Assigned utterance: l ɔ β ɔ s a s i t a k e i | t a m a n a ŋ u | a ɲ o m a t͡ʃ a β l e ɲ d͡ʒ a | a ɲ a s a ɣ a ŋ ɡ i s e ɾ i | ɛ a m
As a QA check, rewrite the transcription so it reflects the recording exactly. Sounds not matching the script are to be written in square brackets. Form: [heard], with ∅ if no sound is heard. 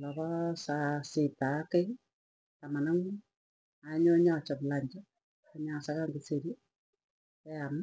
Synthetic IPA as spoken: l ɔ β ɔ s a s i t a k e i | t a m a n a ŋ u | a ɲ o [ɲ] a t͡ʃ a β l [a] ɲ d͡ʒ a | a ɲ a s a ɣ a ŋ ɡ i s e ɾ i | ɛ a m